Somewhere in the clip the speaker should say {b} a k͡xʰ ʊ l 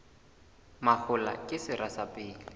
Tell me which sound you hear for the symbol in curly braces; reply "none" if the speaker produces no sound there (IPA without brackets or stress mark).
m